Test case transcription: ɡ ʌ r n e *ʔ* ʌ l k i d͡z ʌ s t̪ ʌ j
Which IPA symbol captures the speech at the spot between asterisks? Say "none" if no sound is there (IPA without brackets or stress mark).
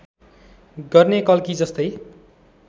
k